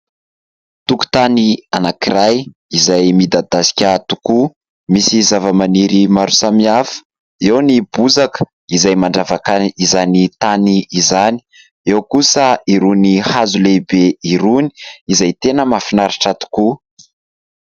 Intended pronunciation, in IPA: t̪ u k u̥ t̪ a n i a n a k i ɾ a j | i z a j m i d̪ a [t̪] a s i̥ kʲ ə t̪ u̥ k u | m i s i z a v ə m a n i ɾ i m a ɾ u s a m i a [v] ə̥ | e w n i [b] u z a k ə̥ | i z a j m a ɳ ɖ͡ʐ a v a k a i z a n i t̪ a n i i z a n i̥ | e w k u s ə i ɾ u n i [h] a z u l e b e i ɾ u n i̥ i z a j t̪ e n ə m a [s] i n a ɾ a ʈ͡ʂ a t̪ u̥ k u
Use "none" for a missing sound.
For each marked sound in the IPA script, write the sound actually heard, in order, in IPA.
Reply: d̪, f, b, h, f

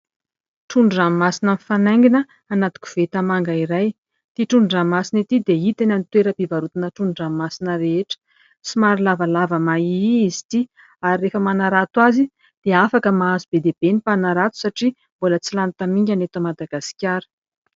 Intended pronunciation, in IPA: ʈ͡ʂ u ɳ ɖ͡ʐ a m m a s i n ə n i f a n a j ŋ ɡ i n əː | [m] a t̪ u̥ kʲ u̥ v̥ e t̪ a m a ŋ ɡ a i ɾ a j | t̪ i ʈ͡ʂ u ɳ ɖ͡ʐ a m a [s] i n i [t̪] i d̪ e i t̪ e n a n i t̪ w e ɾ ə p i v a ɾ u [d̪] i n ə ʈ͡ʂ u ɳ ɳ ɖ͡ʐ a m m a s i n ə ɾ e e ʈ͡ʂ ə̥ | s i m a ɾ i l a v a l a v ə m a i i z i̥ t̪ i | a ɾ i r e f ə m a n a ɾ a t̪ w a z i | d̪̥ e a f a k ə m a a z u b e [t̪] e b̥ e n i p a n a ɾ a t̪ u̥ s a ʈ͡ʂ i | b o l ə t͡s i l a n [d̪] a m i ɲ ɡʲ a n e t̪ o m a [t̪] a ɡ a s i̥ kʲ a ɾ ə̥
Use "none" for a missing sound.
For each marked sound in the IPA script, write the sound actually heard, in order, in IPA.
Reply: n, s, t̪, t̪, d̪, t̪, d̪

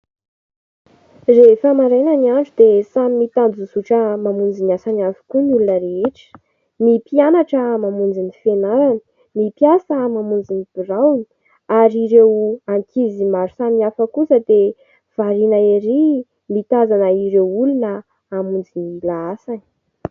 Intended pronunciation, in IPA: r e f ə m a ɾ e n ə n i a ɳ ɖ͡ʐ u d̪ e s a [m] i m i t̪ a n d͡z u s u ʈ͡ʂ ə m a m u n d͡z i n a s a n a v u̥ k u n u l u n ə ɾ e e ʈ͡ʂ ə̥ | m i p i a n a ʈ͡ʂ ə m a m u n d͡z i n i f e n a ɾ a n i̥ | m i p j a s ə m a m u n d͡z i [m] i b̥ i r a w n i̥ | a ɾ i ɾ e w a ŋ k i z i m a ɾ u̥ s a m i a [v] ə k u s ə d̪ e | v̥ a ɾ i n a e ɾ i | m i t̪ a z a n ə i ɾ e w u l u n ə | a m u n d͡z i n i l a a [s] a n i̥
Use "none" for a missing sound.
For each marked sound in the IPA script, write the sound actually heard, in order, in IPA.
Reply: m, n, f, s

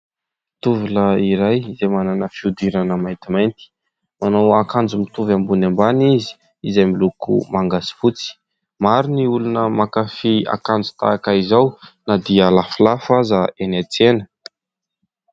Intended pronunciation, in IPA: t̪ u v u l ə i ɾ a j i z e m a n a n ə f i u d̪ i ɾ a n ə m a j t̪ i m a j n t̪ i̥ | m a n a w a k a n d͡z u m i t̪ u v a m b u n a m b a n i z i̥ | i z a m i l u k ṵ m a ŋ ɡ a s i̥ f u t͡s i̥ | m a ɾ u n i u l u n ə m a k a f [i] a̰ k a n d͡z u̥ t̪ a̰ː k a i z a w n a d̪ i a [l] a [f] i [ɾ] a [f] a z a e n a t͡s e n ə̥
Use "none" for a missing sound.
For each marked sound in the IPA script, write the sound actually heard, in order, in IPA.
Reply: i, l, f, l, f

